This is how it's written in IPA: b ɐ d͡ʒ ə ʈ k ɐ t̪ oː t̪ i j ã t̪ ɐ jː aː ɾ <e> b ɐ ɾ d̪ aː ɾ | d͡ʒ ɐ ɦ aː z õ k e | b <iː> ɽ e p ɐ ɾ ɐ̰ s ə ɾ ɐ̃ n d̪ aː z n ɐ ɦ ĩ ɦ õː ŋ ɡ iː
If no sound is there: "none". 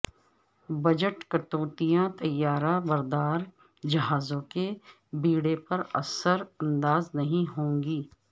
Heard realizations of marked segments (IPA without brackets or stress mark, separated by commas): a, iː